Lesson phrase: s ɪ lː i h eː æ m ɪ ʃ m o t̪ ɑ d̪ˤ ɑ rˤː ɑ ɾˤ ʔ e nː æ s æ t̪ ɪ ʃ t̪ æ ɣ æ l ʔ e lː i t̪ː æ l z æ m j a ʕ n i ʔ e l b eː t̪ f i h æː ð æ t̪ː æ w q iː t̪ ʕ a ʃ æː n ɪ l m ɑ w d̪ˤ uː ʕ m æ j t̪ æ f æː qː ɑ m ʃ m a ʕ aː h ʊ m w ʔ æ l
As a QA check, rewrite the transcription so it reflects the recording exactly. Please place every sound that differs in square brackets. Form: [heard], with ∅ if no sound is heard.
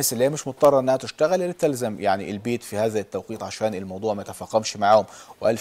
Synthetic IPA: s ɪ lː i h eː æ m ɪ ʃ m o t̪ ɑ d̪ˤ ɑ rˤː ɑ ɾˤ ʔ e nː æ [h] æ t̪ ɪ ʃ t̪ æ ɣ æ l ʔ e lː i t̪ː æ l z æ m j a ʕ n i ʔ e l b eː t̪ f i h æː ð æ t̪ː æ w q iː t̪ ʕ a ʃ æː n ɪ l m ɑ w d̪ˤ uː ʕ m æ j t̪ æ f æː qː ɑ m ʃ m a ʕ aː h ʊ m w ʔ æ l